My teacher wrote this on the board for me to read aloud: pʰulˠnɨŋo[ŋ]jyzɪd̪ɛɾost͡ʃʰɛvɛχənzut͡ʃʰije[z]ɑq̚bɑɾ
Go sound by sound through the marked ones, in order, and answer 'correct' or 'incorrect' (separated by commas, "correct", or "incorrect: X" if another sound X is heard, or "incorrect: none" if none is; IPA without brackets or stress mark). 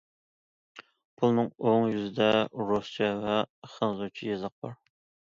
correct, correct